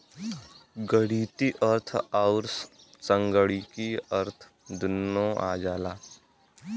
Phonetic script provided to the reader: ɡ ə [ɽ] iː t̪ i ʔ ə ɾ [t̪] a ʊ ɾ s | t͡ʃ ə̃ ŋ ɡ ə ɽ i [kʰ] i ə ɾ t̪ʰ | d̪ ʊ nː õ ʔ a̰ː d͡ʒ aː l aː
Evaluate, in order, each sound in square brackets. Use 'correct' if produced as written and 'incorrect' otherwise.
correct, incorrect: t̪ʰ, incorrect: k

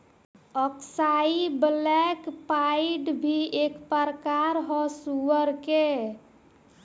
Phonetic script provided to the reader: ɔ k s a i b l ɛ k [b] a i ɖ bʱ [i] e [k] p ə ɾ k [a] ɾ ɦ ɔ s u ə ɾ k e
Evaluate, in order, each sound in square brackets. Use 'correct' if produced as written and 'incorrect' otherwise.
incorrect: p, correct, correct, correct

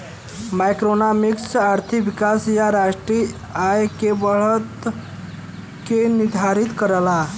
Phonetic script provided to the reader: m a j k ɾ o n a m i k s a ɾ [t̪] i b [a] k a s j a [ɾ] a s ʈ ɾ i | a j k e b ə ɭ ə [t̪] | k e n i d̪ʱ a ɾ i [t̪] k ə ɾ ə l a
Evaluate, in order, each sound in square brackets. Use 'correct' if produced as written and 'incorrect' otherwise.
incorrect: t̪ʰ, incorrect: i, correct, correct, correct

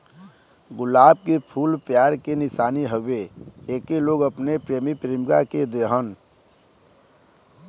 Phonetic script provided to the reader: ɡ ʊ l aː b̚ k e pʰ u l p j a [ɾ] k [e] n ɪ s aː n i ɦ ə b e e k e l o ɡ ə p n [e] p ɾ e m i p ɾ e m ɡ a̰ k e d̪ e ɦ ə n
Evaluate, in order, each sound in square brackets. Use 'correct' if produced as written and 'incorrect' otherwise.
correct, correct, correct

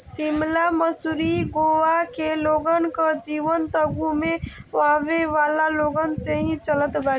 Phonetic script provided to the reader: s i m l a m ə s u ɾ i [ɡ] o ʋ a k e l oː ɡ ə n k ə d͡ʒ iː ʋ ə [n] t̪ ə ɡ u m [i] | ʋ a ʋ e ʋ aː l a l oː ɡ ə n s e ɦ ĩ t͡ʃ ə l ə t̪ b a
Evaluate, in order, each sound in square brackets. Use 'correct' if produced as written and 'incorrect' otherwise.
correct, correct, incorrect: e

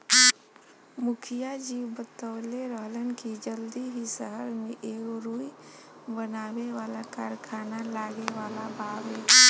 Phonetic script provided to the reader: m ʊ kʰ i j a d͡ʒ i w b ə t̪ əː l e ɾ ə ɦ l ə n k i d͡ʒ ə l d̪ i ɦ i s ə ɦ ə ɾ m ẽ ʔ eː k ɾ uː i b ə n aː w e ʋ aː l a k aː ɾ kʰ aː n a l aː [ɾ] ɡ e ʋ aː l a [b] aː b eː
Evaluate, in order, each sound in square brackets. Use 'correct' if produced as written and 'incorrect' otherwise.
incorrect: none, correct

